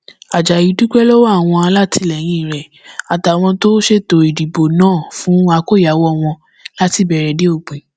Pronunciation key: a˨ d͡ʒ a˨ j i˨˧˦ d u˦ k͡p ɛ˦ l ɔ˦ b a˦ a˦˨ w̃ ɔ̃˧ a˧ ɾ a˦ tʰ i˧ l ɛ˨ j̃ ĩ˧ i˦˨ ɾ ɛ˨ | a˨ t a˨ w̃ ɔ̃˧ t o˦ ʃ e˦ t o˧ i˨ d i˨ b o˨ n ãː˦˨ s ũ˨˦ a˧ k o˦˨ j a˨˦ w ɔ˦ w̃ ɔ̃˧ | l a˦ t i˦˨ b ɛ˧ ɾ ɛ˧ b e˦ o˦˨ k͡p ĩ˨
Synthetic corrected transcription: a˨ d͡ʒ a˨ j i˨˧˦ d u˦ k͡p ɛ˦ l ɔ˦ w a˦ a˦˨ w̃ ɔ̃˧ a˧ l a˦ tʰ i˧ l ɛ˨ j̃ ĩ˧ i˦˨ ɾ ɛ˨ | a˨ t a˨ w̃ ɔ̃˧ t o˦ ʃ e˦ t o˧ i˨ d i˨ b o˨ n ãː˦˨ f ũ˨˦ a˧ k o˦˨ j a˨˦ w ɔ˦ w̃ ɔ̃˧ | l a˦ t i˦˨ b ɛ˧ ɾ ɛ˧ d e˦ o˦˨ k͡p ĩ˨